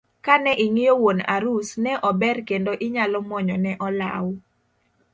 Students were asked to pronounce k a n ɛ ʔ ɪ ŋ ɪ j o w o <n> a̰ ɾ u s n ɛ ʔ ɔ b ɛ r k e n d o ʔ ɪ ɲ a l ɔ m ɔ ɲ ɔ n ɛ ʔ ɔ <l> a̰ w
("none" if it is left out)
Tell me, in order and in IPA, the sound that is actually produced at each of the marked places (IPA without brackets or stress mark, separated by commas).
n, l